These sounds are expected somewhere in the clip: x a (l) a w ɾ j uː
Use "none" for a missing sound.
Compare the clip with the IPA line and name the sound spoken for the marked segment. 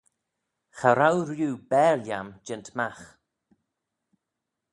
ɾ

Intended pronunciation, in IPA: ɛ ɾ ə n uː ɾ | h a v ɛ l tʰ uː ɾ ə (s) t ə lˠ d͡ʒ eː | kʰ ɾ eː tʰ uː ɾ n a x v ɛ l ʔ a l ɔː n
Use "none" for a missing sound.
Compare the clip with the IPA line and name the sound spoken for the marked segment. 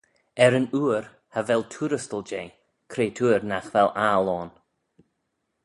s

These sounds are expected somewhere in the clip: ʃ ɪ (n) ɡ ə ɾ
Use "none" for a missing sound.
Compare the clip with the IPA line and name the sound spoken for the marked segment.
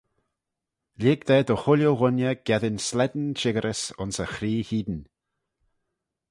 none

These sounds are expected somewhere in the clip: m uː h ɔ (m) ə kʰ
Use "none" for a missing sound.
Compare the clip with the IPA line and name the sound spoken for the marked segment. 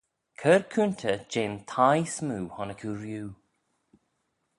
n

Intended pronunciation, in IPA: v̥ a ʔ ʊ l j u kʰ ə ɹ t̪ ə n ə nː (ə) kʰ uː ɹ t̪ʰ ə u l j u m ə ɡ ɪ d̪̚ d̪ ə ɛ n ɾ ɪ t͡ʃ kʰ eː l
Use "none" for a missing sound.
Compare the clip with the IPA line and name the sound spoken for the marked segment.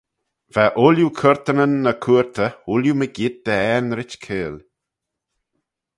ə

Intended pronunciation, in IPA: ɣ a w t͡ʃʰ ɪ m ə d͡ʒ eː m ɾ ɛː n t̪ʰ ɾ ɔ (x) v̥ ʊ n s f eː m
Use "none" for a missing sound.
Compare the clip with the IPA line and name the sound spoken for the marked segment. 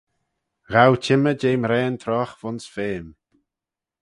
x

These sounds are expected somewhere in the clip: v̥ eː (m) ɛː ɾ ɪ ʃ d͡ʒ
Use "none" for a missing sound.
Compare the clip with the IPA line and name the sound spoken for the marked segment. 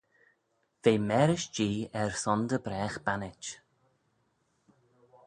m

